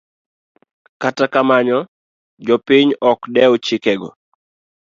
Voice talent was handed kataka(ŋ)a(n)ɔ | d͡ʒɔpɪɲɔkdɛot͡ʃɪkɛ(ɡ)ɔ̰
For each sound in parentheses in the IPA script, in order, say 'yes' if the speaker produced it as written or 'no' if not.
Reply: no, no, yes

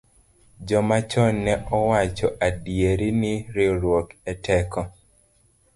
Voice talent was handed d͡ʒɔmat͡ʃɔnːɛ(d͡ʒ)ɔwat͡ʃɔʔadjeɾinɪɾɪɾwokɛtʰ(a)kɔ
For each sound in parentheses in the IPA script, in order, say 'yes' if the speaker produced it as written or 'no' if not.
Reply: no, no

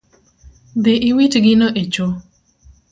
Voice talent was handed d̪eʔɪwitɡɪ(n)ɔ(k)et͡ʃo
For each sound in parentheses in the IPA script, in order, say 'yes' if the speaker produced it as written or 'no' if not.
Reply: yes, no

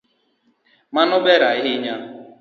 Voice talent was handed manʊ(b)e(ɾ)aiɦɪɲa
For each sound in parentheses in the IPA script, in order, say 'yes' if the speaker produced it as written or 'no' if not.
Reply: yes, yes

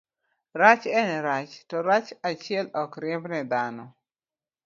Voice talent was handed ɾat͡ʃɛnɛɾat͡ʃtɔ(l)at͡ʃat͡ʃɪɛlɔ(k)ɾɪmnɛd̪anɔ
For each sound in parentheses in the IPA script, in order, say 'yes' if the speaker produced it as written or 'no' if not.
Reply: no, yes

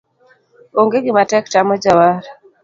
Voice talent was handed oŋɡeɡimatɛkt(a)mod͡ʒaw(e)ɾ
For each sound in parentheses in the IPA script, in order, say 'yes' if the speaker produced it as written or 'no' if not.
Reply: yes, no

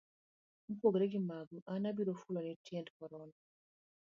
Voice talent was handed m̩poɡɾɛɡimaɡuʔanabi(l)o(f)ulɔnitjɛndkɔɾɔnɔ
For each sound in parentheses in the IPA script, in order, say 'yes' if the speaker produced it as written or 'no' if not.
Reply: no, yes

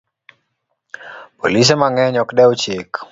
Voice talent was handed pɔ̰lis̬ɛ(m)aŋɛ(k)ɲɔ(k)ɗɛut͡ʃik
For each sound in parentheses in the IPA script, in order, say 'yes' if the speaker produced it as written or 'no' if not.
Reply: yes, no, yes

